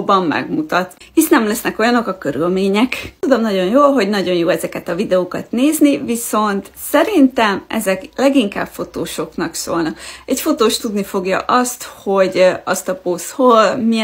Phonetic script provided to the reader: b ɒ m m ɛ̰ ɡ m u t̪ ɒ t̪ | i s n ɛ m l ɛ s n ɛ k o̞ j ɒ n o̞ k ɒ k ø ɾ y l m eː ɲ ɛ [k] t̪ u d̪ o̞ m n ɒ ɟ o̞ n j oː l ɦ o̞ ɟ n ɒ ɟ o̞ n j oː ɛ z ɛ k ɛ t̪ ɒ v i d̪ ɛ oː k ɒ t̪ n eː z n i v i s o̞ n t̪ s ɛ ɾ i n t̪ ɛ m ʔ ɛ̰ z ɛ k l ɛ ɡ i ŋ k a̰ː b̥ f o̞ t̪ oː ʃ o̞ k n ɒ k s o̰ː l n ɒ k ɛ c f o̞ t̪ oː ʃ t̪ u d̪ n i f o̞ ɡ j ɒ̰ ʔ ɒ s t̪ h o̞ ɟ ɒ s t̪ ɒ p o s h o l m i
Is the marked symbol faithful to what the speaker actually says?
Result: yes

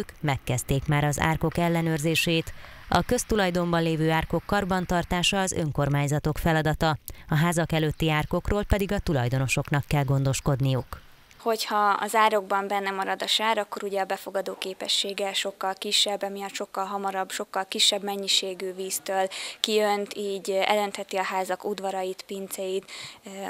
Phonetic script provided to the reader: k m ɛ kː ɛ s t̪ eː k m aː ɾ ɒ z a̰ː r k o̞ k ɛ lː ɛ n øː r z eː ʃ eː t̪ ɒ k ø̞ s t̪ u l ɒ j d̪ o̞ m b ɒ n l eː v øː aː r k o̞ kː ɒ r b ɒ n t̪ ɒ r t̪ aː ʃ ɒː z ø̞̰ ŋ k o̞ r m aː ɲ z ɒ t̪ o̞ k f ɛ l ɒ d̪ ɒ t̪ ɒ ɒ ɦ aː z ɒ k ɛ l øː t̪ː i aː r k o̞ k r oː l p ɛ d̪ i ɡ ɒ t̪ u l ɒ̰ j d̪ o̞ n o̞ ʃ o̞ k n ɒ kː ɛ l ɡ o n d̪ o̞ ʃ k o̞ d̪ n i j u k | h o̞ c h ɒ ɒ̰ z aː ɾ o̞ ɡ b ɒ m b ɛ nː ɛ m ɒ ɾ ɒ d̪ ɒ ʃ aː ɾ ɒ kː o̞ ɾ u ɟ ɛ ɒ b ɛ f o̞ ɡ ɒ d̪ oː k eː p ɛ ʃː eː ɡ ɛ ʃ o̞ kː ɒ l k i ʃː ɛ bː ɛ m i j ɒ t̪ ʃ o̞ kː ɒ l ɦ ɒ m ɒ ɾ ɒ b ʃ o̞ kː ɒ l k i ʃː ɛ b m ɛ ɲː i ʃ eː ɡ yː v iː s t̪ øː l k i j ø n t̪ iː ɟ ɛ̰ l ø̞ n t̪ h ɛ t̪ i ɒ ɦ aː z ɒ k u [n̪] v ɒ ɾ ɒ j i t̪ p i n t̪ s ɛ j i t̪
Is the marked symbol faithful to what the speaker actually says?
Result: no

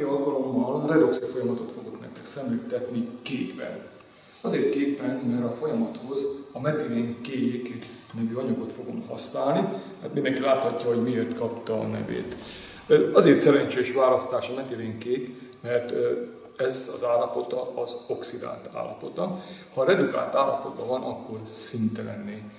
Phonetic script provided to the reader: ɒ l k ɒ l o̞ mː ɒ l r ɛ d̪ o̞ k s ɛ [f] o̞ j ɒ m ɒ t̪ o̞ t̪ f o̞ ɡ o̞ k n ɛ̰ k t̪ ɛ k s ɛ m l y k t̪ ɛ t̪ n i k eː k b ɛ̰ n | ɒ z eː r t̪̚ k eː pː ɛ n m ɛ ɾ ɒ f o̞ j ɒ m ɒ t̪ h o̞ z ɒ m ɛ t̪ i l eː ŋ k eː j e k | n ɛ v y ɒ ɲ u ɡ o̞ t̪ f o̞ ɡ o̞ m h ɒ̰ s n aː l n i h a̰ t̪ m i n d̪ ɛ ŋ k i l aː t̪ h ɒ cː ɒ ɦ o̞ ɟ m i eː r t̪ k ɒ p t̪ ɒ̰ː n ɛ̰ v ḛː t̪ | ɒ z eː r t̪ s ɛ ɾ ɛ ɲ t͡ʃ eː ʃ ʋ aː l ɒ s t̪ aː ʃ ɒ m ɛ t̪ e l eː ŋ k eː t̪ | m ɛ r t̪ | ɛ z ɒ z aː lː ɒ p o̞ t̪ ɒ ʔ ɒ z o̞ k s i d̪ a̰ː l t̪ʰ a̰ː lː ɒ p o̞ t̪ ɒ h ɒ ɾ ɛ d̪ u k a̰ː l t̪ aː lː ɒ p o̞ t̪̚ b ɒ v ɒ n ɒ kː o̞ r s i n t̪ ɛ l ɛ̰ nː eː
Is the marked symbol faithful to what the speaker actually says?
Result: yes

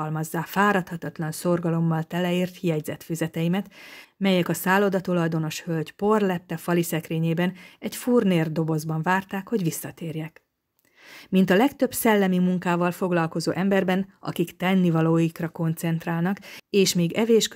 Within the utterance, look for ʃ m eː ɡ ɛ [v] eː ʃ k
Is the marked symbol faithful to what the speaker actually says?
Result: yes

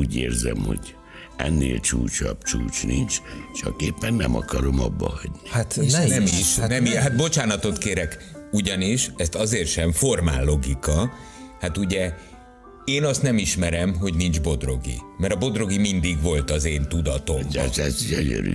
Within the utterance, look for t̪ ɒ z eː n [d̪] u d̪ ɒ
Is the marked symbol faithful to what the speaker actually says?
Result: no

